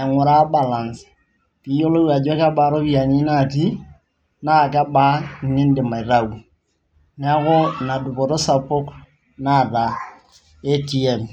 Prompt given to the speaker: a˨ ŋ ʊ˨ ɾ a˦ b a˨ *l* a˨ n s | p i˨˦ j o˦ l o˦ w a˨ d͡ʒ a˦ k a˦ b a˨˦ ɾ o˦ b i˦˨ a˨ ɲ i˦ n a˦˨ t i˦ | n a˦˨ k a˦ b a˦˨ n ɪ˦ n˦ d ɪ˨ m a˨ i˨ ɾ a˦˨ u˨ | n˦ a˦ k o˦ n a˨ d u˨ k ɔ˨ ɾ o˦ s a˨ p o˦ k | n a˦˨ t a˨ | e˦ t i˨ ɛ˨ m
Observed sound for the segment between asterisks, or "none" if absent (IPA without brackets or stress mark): l